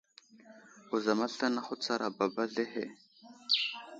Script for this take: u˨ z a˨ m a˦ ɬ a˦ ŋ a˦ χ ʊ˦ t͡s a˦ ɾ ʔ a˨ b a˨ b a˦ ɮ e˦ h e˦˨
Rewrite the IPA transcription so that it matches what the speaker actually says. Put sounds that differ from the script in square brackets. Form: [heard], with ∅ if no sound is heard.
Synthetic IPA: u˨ z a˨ m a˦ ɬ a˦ [n] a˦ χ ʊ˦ t͡s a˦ ɾ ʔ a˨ b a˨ b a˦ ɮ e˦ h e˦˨

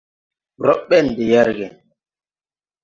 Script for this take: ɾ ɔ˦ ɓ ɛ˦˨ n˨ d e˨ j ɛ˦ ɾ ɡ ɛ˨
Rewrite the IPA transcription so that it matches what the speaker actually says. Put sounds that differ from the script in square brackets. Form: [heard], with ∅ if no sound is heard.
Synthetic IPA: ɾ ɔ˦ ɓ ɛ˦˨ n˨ d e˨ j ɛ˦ ɾ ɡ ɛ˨

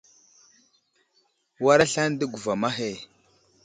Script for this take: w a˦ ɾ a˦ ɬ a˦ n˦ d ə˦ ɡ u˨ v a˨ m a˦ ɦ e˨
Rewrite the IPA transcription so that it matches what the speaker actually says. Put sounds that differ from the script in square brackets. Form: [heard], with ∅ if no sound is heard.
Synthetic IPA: w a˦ ɾ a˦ ɬ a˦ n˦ d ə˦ ɡ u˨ v a˨ m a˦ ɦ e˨

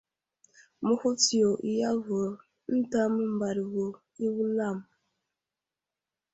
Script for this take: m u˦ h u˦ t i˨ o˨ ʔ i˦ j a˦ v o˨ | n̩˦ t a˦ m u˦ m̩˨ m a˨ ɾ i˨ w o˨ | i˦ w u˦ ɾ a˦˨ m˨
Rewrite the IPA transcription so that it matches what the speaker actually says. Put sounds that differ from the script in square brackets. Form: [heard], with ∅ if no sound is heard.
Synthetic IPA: m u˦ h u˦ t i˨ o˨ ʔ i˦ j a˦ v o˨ | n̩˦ t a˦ m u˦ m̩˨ [b] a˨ ɾ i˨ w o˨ | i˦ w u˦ [l] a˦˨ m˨

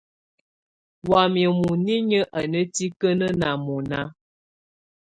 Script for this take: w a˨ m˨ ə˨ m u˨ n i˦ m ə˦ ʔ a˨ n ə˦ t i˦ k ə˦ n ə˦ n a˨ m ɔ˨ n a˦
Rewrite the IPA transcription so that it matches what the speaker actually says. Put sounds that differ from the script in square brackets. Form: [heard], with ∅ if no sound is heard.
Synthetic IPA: w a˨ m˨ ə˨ m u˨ n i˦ [ɲ] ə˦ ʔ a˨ n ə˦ t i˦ k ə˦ n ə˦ n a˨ m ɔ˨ n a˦

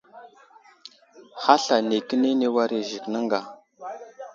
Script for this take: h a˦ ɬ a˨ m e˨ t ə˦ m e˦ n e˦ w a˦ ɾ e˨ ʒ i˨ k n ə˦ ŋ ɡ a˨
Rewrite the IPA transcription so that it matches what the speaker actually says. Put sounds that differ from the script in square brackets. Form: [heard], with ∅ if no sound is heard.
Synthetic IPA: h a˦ ɬ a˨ [n] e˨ [k] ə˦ [n] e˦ n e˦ w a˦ ɾ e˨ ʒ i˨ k n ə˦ ŋ ɡ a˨

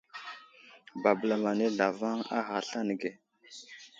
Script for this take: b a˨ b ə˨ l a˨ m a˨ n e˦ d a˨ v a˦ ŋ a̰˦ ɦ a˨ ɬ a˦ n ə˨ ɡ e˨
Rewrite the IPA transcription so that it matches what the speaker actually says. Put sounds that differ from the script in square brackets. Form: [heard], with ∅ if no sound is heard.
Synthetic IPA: b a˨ b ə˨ l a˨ m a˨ n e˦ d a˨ v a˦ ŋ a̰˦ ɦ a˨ ɬ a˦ n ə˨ ɡ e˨

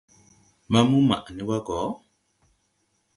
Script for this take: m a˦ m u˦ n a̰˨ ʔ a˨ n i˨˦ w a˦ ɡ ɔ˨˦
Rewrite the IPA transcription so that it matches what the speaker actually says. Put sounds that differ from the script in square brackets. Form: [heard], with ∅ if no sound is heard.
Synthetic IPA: m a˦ m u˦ [m] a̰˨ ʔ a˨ n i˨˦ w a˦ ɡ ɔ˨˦

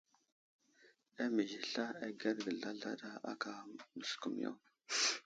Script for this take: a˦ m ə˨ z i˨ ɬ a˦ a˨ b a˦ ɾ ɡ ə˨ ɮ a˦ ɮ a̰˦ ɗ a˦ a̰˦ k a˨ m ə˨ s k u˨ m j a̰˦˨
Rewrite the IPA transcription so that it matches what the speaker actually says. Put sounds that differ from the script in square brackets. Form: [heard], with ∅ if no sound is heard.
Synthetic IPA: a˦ m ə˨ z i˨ ɬ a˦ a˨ [ɡ] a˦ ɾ ɡ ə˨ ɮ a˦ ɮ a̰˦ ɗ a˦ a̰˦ k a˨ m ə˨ s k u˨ m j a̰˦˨

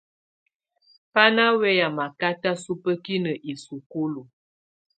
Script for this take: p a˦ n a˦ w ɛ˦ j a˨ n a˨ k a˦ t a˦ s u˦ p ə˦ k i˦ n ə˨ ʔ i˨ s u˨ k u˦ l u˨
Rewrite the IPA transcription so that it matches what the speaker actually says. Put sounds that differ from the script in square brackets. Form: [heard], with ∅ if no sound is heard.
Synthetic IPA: p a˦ n a˦ w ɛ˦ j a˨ [m] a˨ k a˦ t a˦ s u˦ p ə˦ k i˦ n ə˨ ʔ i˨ s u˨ k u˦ l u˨

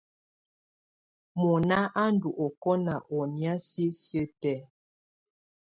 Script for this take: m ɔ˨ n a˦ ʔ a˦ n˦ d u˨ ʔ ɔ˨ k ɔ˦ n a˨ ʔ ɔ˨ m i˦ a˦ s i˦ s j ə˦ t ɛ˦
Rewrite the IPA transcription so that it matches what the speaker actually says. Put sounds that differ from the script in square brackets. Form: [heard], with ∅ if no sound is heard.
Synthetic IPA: m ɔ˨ n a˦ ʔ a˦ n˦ d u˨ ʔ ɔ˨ k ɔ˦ n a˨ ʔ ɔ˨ [n] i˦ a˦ s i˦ s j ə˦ t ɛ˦

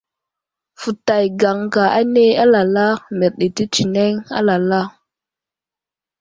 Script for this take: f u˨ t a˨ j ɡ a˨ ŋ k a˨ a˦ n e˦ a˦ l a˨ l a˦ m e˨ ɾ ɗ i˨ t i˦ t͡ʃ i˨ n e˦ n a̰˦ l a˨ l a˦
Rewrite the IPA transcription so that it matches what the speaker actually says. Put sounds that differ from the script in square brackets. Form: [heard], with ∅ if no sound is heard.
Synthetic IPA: f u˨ t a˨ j ɡ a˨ ŋ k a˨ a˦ n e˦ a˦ l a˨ l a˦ m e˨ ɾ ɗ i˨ t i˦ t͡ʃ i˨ n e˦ [ŋ] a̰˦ l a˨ l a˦

